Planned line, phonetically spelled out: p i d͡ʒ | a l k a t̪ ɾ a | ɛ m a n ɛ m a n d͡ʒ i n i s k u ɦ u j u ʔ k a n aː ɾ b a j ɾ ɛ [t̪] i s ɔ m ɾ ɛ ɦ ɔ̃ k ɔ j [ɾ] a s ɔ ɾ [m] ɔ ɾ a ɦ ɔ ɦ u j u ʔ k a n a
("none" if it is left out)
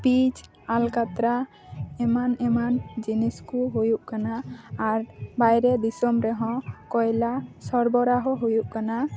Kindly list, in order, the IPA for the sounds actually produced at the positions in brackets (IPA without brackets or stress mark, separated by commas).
d̪, l, b